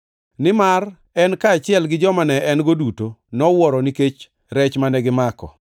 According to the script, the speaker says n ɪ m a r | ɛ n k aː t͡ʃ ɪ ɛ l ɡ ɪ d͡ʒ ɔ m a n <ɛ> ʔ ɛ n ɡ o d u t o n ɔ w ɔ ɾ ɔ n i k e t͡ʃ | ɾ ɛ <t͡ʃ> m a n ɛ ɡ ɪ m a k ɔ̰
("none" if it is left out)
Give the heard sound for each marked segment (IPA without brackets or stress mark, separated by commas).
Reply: ɛ, t͡ʃ